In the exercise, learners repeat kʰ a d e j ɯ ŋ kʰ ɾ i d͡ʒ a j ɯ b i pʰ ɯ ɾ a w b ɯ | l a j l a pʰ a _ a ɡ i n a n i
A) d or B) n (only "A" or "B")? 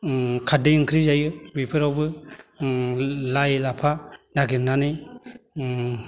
B